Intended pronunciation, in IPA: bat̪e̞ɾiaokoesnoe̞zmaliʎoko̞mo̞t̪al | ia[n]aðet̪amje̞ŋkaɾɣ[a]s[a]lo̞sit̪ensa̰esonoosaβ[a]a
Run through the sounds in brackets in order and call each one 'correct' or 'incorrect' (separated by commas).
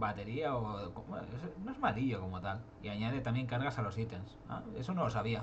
incorrect, correct, correct, incorrect